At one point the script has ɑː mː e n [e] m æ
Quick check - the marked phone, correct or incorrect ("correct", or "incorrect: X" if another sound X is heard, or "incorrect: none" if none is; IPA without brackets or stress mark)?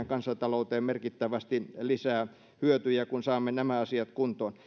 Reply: incorrect: æ